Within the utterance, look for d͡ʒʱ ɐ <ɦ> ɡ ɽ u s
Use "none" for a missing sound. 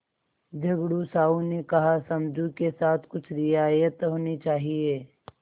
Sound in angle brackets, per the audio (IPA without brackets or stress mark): none